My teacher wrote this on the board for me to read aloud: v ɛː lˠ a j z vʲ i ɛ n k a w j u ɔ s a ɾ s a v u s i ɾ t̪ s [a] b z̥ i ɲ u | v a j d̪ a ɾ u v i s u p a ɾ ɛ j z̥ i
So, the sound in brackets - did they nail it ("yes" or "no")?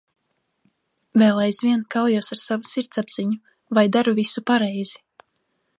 yes